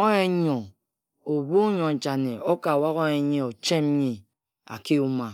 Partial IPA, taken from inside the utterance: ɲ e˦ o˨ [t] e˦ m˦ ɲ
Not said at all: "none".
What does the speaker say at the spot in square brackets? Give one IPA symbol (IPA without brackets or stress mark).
t͡ʃ